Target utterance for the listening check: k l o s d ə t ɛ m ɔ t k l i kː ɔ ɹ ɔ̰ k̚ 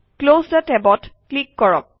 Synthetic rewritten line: k l o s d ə t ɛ b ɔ t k l i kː ɔ ɹ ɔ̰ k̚